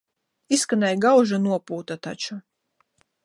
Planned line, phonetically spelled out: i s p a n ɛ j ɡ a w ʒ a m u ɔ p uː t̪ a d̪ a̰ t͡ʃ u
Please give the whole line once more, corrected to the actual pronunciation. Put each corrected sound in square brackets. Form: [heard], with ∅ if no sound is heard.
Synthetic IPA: i s [k] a n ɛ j ɡ a w ʒ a [n] u ɔ p uː t̪ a [t̪] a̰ t͡ʃ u